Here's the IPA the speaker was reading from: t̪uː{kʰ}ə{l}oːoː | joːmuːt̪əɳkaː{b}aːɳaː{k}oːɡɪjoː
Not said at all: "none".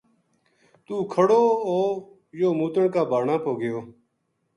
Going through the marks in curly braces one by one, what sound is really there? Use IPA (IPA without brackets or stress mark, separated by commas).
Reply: kʰ, ɽ, b, p